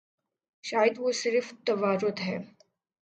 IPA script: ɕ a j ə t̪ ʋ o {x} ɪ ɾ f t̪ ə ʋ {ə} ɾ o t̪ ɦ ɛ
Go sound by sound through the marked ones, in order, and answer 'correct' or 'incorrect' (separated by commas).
incorrect, incorrect